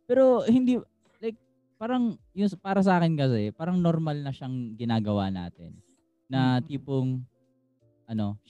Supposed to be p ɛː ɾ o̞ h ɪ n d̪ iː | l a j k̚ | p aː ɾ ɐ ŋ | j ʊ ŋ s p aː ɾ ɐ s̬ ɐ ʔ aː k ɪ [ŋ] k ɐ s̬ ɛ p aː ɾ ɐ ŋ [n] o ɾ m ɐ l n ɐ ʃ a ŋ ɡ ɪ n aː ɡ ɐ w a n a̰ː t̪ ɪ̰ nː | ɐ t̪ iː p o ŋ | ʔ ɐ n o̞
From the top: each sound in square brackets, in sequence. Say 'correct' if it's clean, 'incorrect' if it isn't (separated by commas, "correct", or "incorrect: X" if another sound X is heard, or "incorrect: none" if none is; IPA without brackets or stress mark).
incorrect: n, correct